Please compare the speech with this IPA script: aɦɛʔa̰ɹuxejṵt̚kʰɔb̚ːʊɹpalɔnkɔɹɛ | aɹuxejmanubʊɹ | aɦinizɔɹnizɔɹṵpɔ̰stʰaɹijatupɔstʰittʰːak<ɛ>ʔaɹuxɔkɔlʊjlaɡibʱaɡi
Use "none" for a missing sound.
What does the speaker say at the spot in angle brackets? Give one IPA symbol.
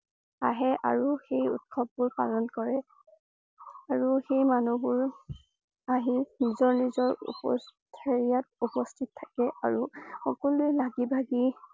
ɛ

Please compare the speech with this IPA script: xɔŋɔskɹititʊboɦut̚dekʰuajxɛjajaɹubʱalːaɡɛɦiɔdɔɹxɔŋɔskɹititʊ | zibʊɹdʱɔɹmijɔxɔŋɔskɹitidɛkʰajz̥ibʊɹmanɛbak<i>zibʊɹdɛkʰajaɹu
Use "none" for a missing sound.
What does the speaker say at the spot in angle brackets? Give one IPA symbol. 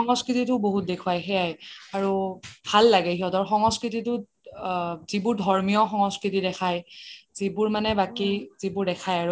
i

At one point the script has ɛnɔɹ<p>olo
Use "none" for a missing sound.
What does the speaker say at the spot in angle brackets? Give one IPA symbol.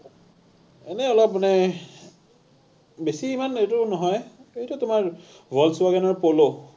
p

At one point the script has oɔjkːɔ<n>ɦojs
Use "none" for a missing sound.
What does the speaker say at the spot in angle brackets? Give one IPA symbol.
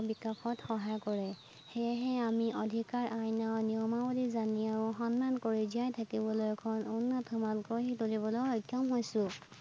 m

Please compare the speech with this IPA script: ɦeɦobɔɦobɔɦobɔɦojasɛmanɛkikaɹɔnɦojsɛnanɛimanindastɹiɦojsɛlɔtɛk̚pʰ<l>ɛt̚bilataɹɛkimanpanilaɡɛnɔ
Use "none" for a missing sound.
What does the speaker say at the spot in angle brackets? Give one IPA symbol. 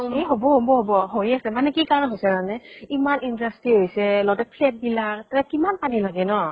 l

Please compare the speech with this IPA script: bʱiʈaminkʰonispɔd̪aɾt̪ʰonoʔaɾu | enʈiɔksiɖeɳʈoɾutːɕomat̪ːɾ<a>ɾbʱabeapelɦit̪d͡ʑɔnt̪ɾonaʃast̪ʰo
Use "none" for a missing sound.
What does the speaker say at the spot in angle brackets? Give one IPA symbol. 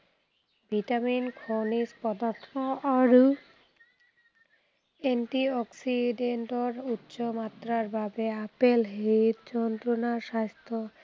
a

